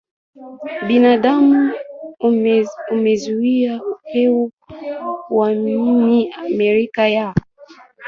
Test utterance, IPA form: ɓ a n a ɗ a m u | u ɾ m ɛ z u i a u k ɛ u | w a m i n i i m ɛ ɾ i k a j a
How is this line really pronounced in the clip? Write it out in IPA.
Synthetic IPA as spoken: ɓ i n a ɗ a m u | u m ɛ z u i a u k ɛ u | w a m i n i a m ɛ ɾ i k a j a